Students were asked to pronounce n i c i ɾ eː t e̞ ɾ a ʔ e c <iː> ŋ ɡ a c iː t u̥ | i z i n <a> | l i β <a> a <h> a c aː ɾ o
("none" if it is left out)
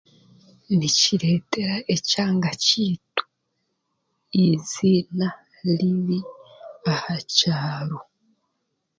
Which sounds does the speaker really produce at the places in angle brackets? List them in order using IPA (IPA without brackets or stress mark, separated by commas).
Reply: aː, a, i, h